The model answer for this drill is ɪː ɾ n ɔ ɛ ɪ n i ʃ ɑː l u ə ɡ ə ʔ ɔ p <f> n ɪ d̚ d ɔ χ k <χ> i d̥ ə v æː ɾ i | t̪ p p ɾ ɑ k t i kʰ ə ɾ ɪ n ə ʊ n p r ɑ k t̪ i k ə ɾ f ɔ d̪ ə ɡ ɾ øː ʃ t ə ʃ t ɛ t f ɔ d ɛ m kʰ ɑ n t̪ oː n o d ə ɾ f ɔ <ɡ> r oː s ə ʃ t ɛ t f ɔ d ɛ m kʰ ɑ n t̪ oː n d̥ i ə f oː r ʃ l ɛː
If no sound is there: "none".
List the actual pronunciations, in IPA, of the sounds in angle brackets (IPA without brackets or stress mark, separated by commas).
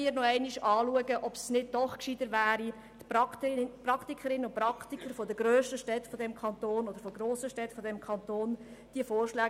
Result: s, ʃ, ɡ